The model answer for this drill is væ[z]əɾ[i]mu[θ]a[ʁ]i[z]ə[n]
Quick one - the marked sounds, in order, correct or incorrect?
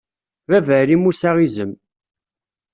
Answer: incorrect, correct, incorrect, correct, correct, incorrect

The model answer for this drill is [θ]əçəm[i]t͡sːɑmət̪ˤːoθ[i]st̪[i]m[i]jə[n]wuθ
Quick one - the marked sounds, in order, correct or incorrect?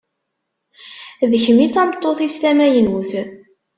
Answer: incorrect, correct, correct, incorrect, incorrect, correct

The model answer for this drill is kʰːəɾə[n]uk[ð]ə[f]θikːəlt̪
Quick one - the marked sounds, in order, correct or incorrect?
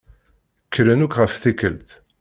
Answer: correct, incorrect, correct

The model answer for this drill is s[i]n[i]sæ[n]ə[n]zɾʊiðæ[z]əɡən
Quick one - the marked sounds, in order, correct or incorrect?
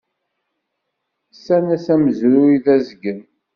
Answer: incorrect, incorrect, incorrect, incorrect, correct

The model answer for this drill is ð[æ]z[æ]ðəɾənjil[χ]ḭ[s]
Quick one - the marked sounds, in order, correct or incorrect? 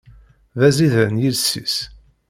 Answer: correct, incorrect, incorrect, correct

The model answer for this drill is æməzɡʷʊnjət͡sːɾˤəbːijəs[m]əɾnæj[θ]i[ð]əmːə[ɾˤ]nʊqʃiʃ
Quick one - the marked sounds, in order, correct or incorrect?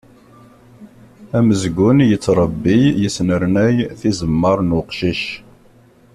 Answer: incorrect, correct, incorrect, correct

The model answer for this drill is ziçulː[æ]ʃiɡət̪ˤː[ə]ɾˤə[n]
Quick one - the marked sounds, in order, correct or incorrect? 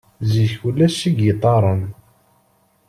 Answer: correct, incorrect, correct

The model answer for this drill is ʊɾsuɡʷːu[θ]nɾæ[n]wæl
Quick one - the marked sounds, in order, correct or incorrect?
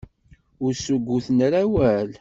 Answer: correct, incorrect

